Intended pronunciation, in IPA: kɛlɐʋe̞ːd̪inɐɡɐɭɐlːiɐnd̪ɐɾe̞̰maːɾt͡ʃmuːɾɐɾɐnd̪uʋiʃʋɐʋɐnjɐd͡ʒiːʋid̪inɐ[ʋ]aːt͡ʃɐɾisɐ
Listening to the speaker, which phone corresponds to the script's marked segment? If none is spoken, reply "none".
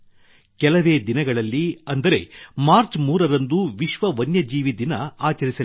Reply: none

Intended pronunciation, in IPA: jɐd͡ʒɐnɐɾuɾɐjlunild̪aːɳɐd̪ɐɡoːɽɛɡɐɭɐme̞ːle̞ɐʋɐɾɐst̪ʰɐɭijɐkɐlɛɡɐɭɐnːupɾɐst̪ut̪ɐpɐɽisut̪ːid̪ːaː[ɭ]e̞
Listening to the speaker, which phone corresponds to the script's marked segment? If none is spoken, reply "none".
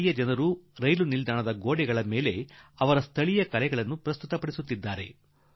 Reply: ɾ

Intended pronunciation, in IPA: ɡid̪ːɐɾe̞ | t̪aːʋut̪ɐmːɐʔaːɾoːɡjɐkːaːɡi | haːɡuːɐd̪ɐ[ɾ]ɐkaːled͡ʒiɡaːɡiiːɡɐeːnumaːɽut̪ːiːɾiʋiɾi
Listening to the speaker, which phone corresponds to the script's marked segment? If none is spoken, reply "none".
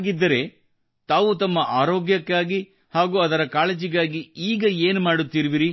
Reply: ɾ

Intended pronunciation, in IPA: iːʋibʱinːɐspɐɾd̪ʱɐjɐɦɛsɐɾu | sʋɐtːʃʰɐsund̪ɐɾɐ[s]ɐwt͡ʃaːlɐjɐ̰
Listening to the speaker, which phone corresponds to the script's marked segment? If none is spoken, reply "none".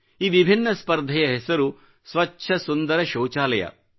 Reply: ʃ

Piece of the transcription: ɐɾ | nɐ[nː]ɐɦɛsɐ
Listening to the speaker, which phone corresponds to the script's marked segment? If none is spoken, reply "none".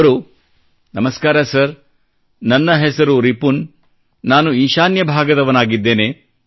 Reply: nː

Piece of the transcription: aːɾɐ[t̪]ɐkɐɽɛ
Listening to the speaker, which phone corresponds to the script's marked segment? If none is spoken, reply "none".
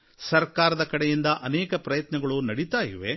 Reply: d̪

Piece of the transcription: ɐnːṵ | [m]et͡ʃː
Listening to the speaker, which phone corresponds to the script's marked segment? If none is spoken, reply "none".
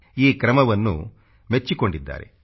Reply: m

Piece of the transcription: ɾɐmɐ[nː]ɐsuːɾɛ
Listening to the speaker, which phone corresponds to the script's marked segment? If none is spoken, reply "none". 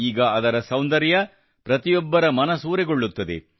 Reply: n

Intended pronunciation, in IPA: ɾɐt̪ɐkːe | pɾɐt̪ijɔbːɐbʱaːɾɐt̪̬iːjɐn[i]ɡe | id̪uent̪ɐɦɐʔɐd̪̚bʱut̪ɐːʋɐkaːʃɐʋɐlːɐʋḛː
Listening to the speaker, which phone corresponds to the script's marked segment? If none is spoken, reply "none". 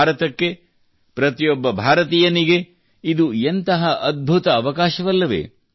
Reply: i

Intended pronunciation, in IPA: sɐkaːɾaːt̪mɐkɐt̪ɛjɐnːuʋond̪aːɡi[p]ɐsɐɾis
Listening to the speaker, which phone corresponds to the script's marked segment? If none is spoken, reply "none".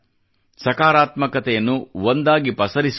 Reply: p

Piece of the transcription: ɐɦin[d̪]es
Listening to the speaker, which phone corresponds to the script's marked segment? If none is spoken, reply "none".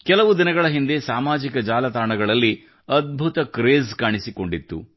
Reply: d̪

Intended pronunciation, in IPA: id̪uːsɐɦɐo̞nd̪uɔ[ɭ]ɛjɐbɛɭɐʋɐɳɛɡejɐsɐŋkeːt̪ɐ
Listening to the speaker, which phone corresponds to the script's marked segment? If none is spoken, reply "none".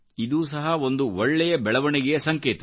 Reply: ɭː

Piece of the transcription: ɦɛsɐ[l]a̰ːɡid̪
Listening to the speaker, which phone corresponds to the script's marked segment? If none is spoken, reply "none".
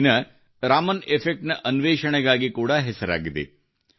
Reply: ɾ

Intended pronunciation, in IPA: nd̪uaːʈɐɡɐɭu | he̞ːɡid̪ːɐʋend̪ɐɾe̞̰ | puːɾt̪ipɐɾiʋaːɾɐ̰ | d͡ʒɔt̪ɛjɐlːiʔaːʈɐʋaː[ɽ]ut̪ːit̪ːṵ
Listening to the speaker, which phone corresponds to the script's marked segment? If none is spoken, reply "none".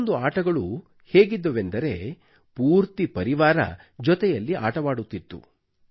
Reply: ɽ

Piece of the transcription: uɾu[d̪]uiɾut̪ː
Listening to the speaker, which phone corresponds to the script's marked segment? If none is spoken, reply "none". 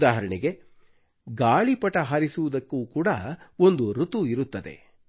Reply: t̪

